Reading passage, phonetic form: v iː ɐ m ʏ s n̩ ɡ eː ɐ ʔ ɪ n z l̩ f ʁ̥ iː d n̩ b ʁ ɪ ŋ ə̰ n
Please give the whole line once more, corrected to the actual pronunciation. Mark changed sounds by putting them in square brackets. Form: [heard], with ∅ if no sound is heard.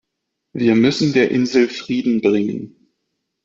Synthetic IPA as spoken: v iː ɐ m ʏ s n̩ [d] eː ɐ ʔ ɪ n z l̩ f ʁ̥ iː d n̩ b ʁ ɪ ŋ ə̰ n

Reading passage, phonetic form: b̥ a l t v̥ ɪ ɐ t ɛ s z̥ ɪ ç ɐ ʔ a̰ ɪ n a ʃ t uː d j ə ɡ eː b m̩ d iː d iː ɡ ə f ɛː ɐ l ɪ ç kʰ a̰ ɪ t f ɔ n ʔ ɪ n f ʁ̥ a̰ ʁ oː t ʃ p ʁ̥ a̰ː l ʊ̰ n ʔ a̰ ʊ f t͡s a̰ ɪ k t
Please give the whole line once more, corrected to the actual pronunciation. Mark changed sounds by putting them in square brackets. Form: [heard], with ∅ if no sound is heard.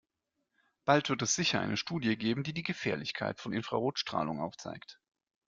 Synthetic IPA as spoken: b̥ a l t v̥ ɪ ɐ t ɛ s z̥ ɪ ç ɐ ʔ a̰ ɪ n [ə] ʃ t uː d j ə ɡ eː b m̩ d iː d iː ɡ ə f ɛː ɐ l ɪ ç kʰ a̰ ɪ t f ɔ n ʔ ɪ n f ʁ̥ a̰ ʁ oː t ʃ [t] ʁ̥ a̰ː l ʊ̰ [ŋ] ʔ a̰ ʊ f t͡s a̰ ɪ k t

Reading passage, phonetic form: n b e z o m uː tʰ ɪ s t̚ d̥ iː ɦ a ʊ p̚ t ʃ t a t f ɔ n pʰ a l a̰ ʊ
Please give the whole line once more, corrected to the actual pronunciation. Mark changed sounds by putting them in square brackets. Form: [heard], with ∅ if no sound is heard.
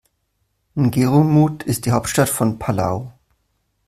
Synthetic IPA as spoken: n [ɡ] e [ʁ] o m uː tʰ ɪ s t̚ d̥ iː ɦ a ʊ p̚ t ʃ t a t f ɔ n pʰ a l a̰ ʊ

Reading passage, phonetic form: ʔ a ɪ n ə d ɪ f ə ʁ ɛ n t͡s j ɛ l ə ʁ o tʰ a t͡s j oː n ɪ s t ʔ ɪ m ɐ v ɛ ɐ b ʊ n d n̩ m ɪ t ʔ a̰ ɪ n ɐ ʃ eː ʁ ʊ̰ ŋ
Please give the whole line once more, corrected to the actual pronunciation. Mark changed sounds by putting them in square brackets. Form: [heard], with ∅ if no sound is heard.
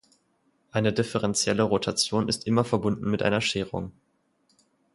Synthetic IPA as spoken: ʔ a ɪ n ə d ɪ f ə ʁ ɛ n t͡s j ɛ l ə ʁ o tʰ a t͡s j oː n ɪ s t ʔ ɪ m ɐ [f] ɛ ɐ b ʊ n d n̩ m ɪ t ʔ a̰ ɪ n ɐ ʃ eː ʁ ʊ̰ ŋ

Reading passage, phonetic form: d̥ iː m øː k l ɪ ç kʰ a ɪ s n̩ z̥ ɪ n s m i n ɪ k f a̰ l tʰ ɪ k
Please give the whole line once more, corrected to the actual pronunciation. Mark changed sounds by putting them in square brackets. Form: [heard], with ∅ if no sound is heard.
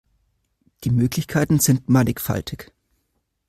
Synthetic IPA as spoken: d̥ iː m øː k l ɪ ç kʰ a ɪ [t] n̩ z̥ ɪ n [t] m [a] n ɪ k f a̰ l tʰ ɪ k

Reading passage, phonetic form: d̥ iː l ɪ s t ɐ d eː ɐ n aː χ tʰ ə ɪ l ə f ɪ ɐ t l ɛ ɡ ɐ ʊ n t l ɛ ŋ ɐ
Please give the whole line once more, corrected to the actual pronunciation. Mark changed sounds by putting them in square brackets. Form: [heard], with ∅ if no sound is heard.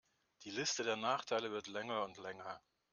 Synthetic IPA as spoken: d̥ iː l ɪ s t [ə] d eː ɐ n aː χ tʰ [a] ɪ l ə [v] ɪ ɐ t l ɛ [ŋ] ɐ ʊ n t l ɛ ŋ ɐ

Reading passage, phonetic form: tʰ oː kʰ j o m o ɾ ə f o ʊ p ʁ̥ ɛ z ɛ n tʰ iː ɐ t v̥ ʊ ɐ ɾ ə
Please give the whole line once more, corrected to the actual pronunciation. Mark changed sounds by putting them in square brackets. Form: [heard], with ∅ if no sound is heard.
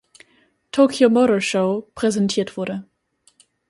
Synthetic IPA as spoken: tʰ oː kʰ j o m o ɾ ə [ʃ] o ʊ p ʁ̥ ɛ z ɛ n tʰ iː ɐ t v̥ ʊ ɐ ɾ ə

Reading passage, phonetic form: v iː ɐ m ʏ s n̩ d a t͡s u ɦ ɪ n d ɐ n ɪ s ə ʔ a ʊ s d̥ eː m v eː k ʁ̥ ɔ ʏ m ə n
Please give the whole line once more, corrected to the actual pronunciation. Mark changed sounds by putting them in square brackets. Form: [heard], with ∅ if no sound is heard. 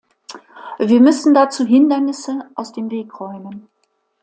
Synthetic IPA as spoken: v iː ɐ m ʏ s n̩ d a t͡s [uː] ɦ ɪ n d ɐ n ɪ s ə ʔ a ʊ s d̥ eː m v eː k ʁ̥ ɔ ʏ m ə n

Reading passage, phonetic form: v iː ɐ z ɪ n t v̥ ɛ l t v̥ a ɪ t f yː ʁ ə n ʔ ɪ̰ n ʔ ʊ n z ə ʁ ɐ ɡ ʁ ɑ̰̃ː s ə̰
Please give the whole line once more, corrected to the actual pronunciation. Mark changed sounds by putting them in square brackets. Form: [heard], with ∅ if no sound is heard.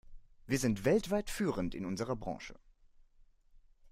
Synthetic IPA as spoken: v iː ɐ z ɪ n t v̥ ɛ l t v̥ a ɪ t f yː ʁ ə n [t] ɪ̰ n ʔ ʊ n z ə ʁ ɐ [b] ʁ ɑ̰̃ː [ʃ] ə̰

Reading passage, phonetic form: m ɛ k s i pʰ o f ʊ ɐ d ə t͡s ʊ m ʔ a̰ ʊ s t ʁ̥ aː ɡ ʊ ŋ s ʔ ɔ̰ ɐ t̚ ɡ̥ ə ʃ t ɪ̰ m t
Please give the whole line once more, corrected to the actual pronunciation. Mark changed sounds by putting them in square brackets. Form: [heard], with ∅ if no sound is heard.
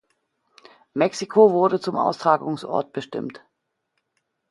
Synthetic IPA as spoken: m ɛ k s i [kʰ] o [v] ʊ ɐ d ə t͡s ʊ m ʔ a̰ ʊ s t ʁ̥ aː ɡ ʊ ŋ s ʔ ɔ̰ ɐ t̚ [b̥] ə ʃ t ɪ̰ m t

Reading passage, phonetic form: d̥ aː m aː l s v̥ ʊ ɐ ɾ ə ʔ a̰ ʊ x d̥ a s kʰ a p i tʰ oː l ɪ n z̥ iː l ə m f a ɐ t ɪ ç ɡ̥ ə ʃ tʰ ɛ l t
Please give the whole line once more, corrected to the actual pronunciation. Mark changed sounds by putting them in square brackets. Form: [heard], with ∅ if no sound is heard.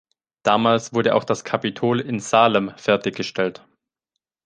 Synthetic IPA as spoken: d̥ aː m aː l s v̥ ʊ ɐ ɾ ə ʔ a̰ ʊ x d̥ a s kʰ a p i tʰ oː l ɪ n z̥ [aː] l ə m f [ɛ] ɐ t ɪ ç ɡ̥ ə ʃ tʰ ɛ l t

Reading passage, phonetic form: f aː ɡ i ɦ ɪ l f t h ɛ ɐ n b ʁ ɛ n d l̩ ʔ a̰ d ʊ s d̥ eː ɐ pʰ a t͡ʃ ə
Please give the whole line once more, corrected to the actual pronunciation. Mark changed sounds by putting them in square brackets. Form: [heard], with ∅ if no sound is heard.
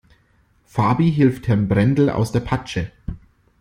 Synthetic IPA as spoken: f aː [b] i ɦ ɪ l f t h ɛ ɐ n b ʁ ɛ n d l̩ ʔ a̰ [∅] ʊ s d̥ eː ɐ pʰ a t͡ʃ ə

